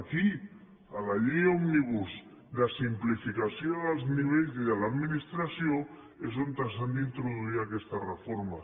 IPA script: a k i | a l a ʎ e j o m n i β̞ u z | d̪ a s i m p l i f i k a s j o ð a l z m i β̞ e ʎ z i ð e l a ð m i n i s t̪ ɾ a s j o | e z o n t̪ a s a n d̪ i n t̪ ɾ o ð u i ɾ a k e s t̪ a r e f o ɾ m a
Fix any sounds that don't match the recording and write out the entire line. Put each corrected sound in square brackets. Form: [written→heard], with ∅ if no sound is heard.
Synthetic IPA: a k i | a l a ʎ e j o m n i β̞ u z | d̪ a s i m p l i f i k a s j o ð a l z [m→n] i β̞ e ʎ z i ð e l a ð m i n i s t̪ ɾ a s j o | e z o n t̪ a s a n d̪ i n t̪ ɾ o ð u i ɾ a k e s t̪ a r e f o ɾ m a